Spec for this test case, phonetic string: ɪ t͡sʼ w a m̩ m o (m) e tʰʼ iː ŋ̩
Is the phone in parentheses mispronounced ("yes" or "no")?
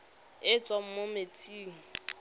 no